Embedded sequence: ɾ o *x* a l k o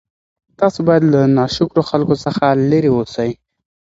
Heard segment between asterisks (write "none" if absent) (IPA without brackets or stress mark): x